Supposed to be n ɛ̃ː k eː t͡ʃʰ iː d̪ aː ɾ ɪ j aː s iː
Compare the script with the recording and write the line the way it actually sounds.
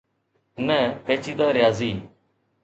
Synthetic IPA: n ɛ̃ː p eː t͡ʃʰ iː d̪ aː ɾ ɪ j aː z iː